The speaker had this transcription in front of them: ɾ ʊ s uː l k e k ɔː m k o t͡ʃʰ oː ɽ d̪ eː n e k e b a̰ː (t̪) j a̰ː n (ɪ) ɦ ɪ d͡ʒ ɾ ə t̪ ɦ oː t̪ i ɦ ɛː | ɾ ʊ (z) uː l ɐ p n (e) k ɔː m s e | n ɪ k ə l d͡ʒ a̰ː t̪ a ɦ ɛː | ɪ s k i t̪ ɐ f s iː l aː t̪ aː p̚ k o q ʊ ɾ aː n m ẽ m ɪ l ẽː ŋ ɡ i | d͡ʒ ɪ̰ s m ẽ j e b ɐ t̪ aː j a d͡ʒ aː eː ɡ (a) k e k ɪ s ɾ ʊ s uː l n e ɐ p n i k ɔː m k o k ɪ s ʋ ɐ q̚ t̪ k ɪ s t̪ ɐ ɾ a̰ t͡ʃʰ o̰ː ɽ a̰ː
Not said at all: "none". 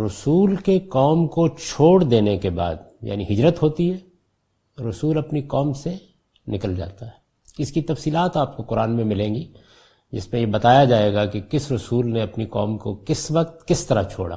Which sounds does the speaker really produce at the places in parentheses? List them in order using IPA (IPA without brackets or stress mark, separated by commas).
d̪, i, s, i, a